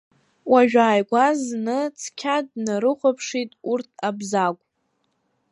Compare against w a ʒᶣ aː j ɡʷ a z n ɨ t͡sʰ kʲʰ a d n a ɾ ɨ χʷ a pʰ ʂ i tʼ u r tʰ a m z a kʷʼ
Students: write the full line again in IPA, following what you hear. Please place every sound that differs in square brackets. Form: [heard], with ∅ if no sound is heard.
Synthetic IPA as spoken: w a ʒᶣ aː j ɡʷ a z n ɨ t͡sʰ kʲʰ a d n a ɾ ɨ χʷ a pʰ ʂ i tʼ u r tʰ a [b] z a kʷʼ